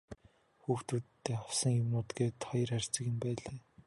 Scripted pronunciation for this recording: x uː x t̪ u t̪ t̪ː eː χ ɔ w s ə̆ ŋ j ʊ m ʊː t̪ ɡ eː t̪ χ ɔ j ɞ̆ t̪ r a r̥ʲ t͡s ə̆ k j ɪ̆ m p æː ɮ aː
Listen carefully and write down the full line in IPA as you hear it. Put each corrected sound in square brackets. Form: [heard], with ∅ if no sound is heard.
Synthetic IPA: x uː x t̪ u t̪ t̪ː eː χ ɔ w s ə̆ ŋ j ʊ m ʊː t̪ ɡ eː t̪ χ ɔ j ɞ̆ [∅] r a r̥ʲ t͡s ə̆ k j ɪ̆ m p æː ɮ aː